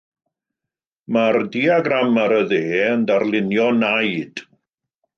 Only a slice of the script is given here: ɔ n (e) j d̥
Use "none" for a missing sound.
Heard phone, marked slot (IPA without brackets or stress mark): a